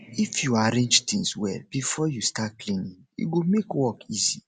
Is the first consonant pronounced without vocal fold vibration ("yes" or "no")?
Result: yes